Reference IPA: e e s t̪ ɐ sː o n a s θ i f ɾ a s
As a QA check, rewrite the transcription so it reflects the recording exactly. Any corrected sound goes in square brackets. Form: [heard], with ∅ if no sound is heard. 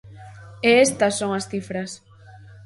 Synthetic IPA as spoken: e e s t̪ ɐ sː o [ŋ] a s θ i f ɾ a s